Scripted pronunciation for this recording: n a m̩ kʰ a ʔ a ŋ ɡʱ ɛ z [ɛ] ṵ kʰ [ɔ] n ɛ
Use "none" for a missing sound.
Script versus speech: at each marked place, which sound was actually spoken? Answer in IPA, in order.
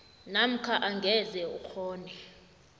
ɛ, ɔː

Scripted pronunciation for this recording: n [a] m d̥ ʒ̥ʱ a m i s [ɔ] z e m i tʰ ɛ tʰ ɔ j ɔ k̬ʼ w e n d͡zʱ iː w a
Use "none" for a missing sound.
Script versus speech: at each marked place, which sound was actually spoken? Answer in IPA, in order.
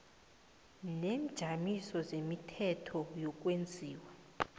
e, ɔ

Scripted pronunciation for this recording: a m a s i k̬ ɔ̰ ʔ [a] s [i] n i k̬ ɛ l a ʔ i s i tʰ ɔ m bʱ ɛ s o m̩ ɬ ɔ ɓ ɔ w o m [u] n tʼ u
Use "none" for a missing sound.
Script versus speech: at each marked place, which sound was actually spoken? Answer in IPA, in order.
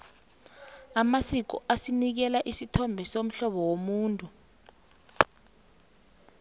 a, i, uː

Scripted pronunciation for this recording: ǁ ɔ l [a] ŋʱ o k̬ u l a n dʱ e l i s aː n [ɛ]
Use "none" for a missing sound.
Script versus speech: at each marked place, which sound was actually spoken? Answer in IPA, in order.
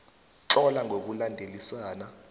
a, a

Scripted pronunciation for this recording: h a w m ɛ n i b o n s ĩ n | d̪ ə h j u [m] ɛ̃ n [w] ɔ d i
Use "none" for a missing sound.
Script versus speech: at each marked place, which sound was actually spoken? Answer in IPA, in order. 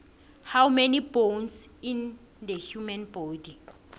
m, b

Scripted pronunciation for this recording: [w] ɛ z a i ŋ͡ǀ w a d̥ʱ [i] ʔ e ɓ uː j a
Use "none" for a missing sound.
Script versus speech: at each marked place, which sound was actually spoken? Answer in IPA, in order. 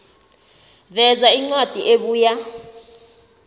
v, i

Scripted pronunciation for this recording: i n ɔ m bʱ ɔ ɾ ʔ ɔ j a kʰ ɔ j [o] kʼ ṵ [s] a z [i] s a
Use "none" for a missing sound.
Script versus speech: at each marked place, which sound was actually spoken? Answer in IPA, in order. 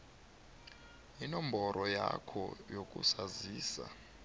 o, s, iː

